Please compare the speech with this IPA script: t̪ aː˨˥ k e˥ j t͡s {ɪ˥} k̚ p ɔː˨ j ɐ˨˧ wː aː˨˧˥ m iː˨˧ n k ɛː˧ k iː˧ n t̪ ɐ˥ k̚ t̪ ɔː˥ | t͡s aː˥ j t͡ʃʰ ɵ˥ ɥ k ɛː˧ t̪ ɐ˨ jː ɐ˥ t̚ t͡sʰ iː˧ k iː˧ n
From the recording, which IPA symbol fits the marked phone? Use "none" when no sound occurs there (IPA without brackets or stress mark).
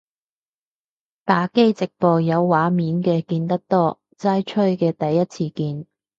ɪ˨